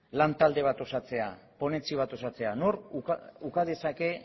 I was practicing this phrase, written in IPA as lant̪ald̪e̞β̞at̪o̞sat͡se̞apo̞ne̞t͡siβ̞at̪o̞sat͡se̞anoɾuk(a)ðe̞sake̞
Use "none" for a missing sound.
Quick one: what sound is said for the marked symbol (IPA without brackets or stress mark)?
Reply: a